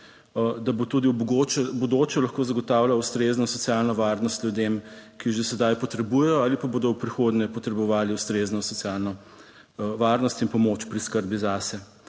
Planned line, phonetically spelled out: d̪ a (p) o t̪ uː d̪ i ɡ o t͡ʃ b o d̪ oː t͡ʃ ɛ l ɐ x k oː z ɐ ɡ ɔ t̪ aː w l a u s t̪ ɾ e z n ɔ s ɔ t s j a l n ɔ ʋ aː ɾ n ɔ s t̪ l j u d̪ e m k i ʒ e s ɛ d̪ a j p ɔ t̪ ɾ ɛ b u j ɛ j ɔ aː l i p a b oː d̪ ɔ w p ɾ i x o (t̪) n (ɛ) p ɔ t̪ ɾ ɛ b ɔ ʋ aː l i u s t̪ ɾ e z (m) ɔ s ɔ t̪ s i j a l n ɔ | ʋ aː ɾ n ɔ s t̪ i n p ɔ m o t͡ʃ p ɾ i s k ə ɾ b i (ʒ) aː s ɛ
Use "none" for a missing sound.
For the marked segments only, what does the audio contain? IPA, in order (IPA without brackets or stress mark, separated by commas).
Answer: b, d̪, ɛ, n, z